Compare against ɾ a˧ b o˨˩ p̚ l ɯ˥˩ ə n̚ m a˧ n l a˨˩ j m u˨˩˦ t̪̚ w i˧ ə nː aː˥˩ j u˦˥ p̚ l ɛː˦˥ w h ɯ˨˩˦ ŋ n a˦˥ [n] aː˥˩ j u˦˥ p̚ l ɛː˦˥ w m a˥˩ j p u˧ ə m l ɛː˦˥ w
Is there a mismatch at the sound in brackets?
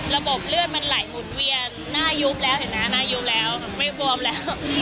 no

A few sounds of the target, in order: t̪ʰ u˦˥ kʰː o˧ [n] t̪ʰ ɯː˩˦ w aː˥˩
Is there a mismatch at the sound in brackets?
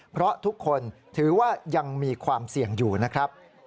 no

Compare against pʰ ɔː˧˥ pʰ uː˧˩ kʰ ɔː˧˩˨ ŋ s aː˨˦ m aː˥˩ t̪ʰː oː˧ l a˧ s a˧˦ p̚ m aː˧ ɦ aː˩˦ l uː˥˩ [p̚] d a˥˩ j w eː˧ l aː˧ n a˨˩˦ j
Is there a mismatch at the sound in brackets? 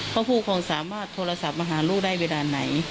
yes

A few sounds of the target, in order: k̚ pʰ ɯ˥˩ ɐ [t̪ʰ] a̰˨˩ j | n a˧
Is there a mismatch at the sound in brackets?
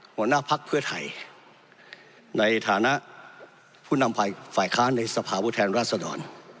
no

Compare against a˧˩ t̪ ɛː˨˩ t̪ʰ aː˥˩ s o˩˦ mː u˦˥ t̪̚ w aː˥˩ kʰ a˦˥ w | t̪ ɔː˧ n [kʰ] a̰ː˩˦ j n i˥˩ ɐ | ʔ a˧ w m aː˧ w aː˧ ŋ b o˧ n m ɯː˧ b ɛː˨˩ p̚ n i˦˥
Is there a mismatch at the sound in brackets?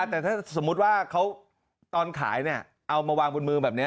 no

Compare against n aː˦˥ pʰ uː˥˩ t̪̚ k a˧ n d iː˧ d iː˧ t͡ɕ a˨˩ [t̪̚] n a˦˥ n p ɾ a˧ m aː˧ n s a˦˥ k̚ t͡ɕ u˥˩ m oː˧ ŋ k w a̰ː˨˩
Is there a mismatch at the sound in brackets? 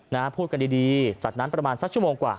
no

